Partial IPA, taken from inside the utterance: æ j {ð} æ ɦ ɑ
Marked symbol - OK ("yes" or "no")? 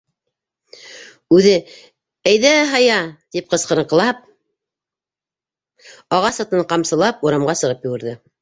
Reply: yes